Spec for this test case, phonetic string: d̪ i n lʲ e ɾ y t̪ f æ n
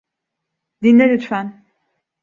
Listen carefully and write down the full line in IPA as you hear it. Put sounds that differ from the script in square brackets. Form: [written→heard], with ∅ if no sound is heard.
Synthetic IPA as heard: d̪ i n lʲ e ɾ y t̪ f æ n